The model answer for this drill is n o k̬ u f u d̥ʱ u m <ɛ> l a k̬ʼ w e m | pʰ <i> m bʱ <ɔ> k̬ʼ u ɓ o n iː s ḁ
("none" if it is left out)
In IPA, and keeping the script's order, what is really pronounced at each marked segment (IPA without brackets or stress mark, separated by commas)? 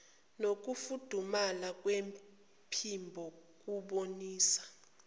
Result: a, i, ɔ